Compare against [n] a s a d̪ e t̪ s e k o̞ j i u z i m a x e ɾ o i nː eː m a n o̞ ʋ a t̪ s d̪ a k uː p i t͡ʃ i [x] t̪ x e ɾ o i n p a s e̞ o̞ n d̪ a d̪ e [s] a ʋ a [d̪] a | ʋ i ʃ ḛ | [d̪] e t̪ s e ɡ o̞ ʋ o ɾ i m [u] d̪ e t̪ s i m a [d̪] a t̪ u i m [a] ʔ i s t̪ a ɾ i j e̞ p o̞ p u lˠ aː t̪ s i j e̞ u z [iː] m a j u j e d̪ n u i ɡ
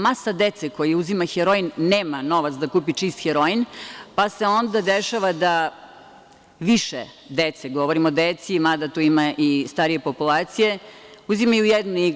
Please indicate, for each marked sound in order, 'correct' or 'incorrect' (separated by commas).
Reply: incorrect, incorrect, incorrect, correct, correct, incorrect, correct, correct, incorrect